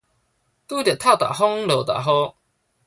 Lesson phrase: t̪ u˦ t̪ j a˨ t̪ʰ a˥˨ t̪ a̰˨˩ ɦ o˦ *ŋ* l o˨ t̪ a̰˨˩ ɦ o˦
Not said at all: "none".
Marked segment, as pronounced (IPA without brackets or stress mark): ŋ